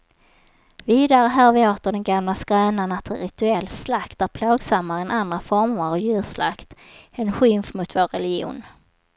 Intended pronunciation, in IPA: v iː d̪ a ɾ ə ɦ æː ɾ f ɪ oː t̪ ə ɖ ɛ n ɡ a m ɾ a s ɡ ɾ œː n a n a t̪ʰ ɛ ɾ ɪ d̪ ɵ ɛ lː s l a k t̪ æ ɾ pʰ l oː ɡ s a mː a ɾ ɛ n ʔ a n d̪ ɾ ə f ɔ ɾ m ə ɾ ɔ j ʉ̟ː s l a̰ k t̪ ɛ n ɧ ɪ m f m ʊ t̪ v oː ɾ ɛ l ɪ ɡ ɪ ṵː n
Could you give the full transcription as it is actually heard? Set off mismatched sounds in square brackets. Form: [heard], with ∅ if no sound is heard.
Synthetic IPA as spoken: v iː d̪ a ɾ ə ɦ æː ɾ [v] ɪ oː t̪ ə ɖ ɛ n ɡ a m [l] a s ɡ ɾ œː n a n a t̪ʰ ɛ ɾ ɪ [t̪] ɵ ɛ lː s l a k t̪ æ ɾ pʰ l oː ɡ s a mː a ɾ ɛ n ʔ a n d̪ ɾ [a] f ɔ ɾ m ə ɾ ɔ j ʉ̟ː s l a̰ k t̪ ɛ n ɧ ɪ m f m ʊ t̪ v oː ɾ ɛ l ɪ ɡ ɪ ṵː n